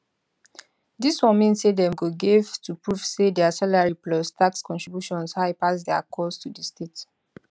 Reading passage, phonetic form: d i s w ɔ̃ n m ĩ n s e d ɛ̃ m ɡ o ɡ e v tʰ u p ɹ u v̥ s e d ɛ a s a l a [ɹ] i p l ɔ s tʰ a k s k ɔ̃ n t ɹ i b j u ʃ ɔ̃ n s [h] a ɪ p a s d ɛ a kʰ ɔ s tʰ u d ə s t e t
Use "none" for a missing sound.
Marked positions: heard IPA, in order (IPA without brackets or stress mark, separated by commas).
ɹ, h